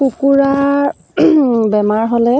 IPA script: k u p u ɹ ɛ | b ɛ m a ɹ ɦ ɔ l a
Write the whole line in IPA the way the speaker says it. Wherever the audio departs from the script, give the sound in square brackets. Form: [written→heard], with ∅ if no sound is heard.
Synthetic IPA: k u [p→k] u ɹ [ɛ→a] | b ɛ m a ɹ ɦ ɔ l [a→ɛ]